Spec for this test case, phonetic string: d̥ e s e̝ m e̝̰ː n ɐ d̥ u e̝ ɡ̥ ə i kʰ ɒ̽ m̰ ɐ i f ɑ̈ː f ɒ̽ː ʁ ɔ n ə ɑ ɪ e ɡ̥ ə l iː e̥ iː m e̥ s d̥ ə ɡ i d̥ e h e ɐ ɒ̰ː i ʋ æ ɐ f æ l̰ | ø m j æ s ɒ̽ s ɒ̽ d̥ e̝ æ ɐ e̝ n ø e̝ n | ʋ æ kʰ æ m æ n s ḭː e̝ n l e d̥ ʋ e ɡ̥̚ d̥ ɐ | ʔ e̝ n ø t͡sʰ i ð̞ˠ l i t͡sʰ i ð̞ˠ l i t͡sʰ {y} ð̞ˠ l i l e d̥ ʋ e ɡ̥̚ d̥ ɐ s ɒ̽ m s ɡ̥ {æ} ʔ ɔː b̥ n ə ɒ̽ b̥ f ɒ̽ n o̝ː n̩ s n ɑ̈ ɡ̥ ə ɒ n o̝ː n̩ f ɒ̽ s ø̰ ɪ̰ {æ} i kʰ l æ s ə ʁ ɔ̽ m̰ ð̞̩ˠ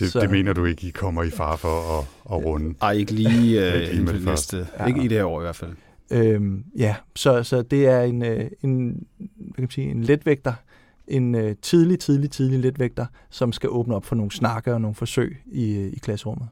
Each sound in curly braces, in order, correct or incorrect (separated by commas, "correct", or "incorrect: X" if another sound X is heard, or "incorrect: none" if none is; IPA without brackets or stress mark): incorrect: i, correct, incorrect: i